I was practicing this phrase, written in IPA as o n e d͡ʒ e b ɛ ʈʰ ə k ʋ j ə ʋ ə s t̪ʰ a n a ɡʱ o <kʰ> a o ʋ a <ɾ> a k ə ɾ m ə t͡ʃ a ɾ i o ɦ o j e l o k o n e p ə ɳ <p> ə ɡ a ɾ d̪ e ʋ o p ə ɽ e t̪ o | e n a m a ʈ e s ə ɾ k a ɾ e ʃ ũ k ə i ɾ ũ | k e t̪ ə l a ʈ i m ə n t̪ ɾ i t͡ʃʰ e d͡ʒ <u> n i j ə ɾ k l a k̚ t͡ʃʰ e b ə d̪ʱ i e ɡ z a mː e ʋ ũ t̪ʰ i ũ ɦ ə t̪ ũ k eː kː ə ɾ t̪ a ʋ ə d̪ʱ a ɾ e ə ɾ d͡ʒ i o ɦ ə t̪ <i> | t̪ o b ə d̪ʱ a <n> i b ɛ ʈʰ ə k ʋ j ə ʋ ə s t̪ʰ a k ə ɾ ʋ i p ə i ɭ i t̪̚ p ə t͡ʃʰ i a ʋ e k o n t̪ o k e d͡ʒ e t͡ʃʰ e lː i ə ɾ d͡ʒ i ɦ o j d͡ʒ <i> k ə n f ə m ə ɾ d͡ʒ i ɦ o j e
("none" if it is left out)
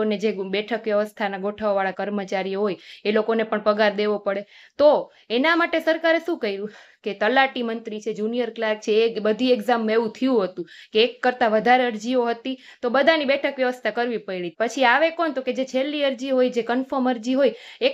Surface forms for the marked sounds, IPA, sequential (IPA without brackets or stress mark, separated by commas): ʈʰ, ɭ, p, u, i, n, e